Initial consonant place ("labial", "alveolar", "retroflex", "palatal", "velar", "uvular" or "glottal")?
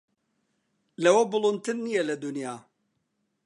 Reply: alveolar